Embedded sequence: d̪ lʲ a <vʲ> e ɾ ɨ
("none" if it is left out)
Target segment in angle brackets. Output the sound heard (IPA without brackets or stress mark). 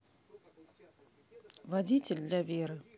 vʲ